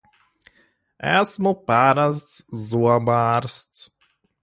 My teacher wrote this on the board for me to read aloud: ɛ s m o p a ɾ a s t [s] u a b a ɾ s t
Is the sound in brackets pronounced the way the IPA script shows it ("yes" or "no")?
no